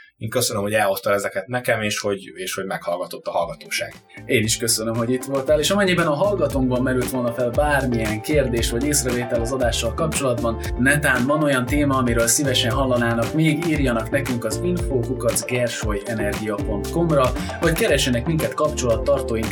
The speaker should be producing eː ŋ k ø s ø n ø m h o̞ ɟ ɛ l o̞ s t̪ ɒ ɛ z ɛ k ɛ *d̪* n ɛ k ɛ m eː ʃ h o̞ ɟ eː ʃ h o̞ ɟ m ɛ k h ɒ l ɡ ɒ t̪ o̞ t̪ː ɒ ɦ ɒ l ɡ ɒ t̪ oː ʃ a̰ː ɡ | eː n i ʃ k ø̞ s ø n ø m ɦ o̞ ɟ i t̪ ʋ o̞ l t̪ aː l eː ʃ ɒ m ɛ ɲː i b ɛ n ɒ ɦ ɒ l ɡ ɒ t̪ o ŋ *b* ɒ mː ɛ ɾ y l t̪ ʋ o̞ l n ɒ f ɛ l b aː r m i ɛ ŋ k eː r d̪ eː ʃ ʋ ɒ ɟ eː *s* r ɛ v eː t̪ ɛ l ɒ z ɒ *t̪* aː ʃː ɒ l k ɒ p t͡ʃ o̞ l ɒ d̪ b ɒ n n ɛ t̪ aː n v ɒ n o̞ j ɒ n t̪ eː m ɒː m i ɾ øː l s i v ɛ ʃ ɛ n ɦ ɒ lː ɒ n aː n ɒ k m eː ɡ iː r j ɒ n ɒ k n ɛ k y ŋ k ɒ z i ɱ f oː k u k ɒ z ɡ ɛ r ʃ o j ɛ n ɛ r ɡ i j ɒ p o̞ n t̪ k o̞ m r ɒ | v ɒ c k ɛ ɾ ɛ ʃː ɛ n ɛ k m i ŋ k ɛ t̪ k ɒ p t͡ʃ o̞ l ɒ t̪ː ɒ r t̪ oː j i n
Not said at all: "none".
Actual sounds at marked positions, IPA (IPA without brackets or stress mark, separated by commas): t̪, b, s, d̪